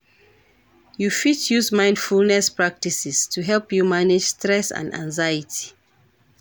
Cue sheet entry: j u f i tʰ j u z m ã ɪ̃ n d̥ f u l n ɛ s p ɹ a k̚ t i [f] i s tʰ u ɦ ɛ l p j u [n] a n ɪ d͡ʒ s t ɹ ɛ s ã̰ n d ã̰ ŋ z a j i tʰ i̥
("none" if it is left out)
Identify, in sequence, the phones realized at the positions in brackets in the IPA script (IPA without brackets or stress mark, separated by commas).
s, m